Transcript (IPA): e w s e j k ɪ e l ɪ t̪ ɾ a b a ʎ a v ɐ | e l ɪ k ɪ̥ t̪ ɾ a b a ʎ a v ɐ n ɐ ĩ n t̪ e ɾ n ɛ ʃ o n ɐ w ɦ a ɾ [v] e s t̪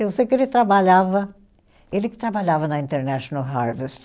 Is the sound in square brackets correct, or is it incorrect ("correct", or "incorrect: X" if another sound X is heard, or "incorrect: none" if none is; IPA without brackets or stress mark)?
correct